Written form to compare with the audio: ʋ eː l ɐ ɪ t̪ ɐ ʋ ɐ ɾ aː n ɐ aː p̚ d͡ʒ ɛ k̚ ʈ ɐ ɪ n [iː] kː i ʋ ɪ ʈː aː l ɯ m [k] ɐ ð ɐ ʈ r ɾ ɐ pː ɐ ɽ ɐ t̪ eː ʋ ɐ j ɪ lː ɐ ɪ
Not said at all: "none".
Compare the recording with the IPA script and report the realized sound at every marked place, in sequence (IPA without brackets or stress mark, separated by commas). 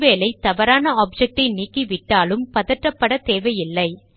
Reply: iː, p